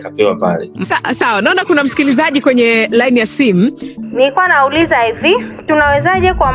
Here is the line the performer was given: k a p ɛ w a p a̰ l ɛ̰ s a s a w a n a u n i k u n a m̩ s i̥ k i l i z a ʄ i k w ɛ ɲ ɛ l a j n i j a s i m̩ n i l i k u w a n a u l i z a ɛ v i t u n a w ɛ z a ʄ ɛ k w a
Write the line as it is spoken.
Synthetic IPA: k a p ɛ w a p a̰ l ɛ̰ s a s a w a n a ɔ n a k u n a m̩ s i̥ k i l i z a ʄ i k w ɛ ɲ ɛ l a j n i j a s i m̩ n i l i k u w a n a u l i z a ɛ v i t u n a w ɛ z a ʄ ɛ k w a